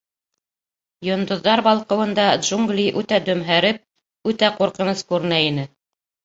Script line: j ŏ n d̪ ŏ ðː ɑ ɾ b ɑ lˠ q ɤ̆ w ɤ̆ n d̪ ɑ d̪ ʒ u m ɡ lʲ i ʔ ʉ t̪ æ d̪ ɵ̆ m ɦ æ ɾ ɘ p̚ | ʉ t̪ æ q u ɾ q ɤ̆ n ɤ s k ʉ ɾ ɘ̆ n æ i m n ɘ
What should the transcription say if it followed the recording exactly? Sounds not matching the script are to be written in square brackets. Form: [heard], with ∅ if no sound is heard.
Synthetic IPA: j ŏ n d̪ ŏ ðː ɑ ɾ b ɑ lˠ q ɤ̆ w ɤ̆ n d̪ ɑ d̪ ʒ u [ŋ] ɡ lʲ i ʔ ʉ t̪ æ d̪ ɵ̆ m ɦ æ ɾ ɘ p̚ | ʉ t̪ æ q u ɾ q ɤ̆ n ɤ s k ʉ ɾ ɘ̆ n æ i [∅] n ɘ